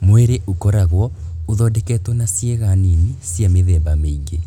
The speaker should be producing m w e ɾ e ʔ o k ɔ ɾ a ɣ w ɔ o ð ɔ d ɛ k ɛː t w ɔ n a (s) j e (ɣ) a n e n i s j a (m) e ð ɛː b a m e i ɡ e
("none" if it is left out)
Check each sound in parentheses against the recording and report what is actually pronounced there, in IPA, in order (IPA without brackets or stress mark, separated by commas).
s, ɣ, m